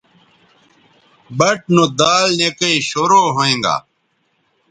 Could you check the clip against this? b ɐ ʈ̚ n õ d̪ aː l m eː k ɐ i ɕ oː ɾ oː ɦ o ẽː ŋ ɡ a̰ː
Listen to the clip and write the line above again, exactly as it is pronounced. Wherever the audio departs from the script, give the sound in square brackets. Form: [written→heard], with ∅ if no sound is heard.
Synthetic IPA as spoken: b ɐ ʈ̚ n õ d̪ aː l [m→n] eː k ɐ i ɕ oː ɾ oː ɦ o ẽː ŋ ɡ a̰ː